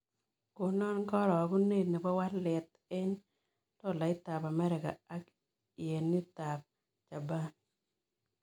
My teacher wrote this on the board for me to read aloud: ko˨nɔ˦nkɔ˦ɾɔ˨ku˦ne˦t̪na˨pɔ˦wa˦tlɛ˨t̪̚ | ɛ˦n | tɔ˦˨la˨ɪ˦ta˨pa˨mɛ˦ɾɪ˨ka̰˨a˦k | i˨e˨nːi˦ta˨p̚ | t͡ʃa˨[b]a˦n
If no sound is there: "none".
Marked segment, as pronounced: b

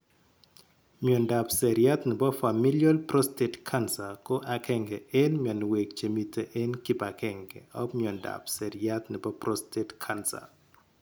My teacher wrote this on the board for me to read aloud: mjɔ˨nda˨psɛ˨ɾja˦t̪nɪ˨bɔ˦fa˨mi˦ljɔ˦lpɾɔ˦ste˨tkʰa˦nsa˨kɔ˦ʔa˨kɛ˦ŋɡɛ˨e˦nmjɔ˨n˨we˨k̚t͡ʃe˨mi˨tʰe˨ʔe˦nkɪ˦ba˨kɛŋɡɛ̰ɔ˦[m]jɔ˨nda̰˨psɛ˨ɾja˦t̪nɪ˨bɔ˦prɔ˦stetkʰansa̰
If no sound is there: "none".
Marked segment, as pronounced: m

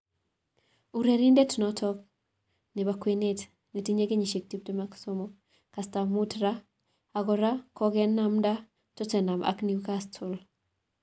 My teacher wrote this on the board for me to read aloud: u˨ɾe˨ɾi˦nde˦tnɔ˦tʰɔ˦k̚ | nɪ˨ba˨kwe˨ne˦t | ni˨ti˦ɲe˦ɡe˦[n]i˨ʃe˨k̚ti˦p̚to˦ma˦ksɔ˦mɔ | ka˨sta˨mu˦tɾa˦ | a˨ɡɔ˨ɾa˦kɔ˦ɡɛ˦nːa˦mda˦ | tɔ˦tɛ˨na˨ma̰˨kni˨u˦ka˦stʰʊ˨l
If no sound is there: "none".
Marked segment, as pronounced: ɲ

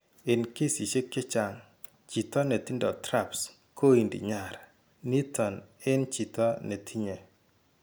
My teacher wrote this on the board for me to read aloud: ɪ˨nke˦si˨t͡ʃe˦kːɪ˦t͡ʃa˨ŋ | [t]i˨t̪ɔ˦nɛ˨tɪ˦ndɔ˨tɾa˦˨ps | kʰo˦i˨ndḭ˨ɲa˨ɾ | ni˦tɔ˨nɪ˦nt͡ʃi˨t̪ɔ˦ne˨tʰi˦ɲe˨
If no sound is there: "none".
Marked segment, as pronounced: t͡ʃ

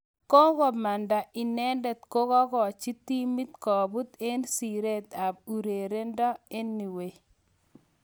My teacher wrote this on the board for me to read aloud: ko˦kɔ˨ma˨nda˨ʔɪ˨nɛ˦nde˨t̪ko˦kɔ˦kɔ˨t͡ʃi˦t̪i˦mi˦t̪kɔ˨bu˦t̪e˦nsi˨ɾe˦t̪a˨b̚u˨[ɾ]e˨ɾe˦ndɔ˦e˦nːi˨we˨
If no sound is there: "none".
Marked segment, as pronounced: ɾ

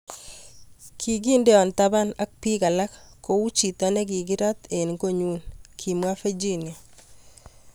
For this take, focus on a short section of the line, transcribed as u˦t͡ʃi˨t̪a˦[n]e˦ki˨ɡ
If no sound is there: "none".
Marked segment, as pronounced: n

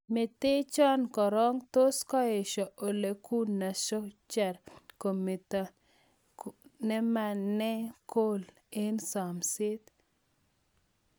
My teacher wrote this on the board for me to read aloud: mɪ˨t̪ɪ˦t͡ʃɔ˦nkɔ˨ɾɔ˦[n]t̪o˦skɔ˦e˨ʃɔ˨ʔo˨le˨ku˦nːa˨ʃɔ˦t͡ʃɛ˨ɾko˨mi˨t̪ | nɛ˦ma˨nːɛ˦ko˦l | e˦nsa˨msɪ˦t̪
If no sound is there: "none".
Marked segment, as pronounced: ŋ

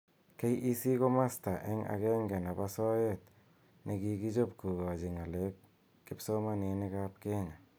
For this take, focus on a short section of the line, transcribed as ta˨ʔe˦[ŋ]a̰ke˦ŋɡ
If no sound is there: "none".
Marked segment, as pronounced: ŋ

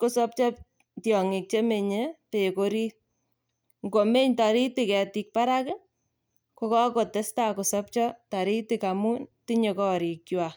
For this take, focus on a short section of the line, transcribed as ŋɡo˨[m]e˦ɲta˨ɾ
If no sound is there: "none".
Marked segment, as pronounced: m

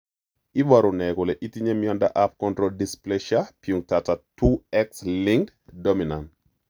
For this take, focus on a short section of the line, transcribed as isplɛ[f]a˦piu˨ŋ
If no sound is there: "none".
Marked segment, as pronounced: ʃ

